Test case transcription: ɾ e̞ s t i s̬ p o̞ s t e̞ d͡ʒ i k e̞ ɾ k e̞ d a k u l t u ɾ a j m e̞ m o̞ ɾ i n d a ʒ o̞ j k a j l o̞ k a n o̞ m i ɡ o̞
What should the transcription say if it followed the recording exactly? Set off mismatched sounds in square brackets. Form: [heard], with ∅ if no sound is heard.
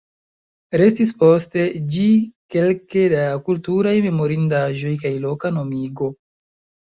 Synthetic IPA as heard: ɾ e̞ s t i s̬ p o̞ s t e̞ d͡ʒ i k e̞ [l] k e̞ d a k u l t u ɾ a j m e̞ m o̞ ɾ i n d a ʒ o̞ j k a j l o̞ k a n o̞ m i ɡ o̞